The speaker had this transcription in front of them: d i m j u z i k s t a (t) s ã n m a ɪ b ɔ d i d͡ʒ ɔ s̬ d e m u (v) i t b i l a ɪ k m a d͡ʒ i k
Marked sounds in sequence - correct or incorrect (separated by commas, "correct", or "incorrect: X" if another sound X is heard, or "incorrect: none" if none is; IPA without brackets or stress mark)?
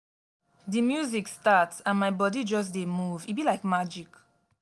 correct, correct